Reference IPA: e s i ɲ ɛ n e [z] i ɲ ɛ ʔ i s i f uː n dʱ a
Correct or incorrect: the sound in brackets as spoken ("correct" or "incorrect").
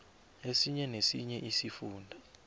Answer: incorrect